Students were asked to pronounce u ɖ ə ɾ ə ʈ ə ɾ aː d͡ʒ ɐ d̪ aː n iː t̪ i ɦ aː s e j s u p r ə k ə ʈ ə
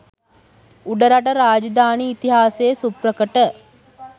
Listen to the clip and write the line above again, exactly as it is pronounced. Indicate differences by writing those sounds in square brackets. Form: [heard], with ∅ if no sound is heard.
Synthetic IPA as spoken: u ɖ ə ɾ [a] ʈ ə ɾ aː d͡ʒ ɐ d̪ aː n iː t̪ i ɦ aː s e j s u p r ə k ə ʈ ə